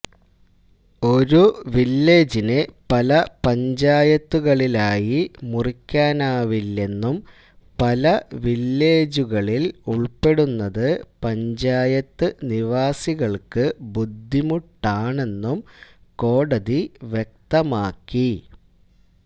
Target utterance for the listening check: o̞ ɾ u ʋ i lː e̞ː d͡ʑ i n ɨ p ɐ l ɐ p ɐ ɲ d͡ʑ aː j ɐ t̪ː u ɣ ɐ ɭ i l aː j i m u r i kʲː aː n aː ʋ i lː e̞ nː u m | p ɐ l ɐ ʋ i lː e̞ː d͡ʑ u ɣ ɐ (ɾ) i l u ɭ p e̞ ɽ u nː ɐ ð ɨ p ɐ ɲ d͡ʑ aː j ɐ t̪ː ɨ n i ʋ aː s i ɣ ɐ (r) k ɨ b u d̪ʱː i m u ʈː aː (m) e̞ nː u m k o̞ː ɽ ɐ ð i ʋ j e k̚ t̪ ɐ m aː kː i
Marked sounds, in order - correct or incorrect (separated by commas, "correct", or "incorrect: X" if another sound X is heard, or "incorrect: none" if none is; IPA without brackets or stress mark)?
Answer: incorrect: ɭ, incorrect: ɭ, incorrect: ɳ